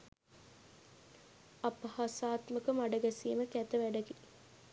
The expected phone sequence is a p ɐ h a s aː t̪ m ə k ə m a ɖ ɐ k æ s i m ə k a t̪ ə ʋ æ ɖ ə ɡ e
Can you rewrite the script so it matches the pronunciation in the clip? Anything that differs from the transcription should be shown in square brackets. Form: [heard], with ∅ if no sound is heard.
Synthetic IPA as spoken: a p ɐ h a s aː t̪ m ə k ə m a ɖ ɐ [ɡ] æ s [iː] m ə k [æ] t̪ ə ʋ æ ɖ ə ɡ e